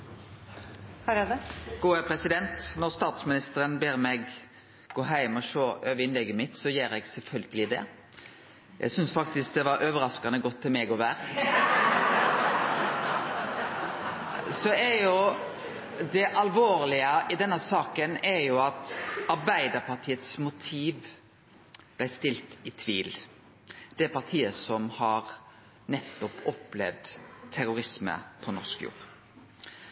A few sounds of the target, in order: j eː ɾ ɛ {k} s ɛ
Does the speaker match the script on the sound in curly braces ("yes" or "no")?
no